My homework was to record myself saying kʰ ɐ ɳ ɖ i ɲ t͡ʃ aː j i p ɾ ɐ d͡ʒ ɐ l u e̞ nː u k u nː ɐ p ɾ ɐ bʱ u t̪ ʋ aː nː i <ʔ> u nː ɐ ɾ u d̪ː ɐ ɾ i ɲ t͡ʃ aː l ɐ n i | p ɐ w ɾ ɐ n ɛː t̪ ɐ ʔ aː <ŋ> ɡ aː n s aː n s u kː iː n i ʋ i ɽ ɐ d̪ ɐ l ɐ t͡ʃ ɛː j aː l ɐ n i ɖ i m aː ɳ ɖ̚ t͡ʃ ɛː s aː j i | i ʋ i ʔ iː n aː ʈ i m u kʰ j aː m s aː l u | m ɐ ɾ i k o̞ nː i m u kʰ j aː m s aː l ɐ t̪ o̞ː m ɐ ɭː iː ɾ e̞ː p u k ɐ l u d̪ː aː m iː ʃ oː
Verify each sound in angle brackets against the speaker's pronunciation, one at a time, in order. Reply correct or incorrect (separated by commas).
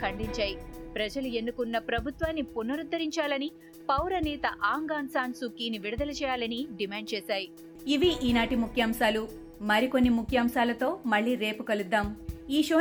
incorrect, correct